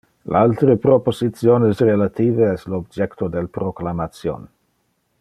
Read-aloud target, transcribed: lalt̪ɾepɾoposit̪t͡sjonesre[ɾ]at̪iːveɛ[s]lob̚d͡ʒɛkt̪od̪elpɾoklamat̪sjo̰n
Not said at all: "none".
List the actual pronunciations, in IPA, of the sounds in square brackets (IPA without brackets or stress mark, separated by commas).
l, s